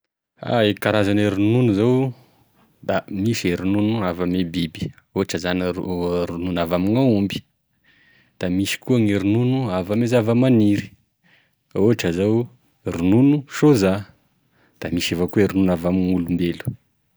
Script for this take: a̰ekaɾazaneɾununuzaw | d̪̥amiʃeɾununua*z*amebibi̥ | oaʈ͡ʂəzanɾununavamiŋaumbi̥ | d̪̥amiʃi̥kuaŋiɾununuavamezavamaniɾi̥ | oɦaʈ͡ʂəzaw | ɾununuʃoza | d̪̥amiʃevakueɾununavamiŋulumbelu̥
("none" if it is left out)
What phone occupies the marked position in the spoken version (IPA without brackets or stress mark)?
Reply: v